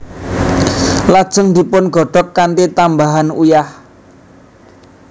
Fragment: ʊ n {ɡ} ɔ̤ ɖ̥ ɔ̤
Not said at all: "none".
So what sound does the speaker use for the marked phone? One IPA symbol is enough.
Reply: ɡ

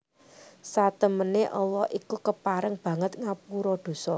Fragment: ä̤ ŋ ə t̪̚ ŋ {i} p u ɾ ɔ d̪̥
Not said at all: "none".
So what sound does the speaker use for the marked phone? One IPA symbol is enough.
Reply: a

